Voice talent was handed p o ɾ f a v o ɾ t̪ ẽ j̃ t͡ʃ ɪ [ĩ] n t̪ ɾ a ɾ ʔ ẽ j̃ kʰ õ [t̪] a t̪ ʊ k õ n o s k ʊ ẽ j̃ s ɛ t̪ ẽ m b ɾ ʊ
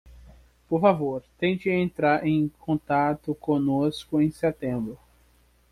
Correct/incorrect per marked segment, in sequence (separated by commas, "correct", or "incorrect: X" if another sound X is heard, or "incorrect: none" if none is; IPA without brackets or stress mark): incorrect: ẽ, correct